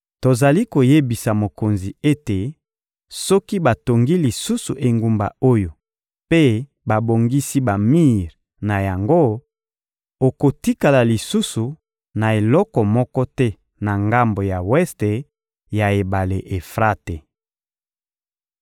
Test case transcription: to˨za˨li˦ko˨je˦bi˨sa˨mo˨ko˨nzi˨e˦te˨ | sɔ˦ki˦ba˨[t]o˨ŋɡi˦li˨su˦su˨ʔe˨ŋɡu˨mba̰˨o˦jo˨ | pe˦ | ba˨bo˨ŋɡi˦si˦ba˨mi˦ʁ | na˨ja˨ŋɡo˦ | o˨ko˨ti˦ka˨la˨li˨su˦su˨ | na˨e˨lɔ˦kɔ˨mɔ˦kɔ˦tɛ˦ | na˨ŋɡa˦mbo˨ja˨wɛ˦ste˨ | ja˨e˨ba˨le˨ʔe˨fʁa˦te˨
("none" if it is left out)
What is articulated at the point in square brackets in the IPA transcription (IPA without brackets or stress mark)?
t